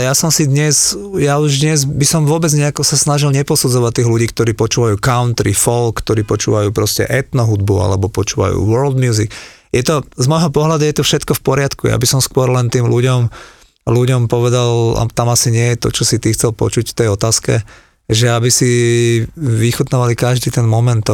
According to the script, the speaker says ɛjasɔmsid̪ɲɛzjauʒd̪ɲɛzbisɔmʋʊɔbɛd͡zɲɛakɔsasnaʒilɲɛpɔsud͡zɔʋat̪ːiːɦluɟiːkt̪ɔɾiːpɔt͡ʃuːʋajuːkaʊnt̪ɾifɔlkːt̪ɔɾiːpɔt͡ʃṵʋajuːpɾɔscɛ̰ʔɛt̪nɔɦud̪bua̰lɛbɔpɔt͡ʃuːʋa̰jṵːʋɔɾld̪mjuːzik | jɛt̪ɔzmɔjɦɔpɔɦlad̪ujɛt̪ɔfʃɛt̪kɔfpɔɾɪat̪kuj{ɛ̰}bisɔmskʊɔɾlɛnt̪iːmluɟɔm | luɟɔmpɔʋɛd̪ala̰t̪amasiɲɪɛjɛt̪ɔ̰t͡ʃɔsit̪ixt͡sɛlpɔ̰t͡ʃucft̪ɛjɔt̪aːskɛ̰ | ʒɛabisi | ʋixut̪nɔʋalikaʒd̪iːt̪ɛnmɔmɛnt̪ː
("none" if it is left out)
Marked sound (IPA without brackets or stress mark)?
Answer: a̰